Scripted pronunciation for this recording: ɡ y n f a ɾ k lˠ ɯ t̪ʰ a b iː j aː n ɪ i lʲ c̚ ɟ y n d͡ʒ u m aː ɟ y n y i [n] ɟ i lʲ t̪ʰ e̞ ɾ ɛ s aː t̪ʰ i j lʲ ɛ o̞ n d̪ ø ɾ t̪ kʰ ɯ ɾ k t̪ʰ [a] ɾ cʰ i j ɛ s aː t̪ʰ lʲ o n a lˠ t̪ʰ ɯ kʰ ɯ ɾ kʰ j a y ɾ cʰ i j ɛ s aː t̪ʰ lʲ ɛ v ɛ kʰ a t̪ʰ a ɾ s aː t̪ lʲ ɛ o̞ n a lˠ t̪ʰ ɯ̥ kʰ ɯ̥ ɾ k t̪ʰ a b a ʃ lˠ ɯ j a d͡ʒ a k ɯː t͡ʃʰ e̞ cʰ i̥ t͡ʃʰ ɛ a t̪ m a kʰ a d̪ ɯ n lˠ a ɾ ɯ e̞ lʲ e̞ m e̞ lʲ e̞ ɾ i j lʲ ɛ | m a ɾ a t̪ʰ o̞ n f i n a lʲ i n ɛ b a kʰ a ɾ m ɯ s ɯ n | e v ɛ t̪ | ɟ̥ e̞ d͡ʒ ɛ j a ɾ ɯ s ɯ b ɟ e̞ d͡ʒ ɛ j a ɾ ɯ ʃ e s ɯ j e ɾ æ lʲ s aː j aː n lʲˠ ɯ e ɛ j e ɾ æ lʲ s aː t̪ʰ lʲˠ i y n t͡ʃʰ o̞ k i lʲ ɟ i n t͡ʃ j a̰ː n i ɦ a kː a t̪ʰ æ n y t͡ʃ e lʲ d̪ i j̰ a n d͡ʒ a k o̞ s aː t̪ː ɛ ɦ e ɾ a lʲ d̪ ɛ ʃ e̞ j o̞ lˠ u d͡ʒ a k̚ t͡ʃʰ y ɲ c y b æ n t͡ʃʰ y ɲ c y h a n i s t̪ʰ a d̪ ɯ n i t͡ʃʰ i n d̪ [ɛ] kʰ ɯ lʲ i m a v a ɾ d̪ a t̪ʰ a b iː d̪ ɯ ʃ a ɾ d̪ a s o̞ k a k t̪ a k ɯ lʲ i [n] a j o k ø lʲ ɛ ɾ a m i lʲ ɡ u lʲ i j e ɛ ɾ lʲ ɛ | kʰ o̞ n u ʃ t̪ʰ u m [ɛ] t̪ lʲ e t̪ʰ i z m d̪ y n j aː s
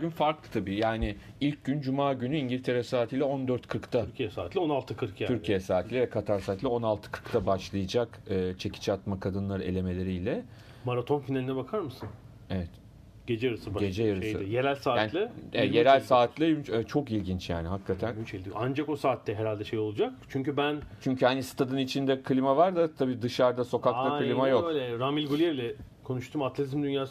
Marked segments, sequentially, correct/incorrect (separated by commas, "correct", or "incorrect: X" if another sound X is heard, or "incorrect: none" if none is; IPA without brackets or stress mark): incorrect: ɲ, correct, correct, incorrect: m, incorrect: a